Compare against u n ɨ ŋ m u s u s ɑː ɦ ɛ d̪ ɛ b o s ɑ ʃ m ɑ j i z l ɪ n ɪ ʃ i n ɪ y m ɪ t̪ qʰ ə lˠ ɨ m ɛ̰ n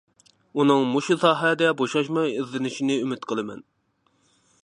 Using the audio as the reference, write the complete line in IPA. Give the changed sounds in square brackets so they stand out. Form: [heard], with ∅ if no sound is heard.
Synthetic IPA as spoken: u n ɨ ŋ m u [ʃ] u s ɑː ɦ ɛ d̪ ɛ b o [ʃ] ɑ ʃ m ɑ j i z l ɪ n ɪ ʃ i n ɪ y m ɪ t̪ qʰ ə lˠ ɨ m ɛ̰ n